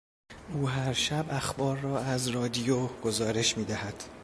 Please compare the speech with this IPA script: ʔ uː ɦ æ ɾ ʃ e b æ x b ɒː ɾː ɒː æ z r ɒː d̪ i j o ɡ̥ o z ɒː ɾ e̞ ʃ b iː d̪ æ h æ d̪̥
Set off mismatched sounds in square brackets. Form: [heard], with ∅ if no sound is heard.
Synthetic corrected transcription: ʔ uː ɦ æ ɾ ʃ [æ] b æ x b ɒː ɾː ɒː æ z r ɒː d̪ i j o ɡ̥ o z ɒː ɾ e̞ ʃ [m] iː d̪ æ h æ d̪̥

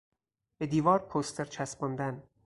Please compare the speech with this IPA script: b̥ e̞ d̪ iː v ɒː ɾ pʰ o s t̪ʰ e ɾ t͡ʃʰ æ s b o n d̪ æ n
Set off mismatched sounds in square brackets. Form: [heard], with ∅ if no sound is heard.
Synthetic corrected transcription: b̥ e̞ d̪ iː v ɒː ɾ pʰ o s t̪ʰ e ɾ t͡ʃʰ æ s b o n d̪ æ n

